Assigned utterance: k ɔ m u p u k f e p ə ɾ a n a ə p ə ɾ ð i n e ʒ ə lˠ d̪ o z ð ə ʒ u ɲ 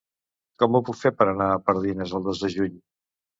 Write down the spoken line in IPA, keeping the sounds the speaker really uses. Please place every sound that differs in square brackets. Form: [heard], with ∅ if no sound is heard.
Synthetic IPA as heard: k ɔ m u p u k f e p ə ɾ [ə] n a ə p ə ɾ ð i n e [z] ə lˠ d̪ o z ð ə ʒ u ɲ